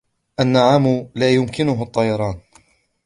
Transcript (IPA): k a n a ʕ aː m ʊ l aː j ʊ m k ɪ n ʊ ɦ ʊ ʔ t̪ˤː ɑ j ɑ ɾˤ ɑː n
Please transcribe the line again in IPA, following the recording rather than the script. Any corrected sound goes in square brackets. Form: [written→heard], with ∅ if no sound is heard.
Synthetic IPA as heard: [k→ʔ] a [n→nː] a ʕ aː m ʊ l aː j ʊ m k ɪ n ʊ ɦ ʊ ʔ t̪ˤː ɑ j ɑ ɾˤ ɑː n